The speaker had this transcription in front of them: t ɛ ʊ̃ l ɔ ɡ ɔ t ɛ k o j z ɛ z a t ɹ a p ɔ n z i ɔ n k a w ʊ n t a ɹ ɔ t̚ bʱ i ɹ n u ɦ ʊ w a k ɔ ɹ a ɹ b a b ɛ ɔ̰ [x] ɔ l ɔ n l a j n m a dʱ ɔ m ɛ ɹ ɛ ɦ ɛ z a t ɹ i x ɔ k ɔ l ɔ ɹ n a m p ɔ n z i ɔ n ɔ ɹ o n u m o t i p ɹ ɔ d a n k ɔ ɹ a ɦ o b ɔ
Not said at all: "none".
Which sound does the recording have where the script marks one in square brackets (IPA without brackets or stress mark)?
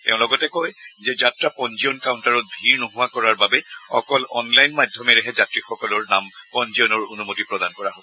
k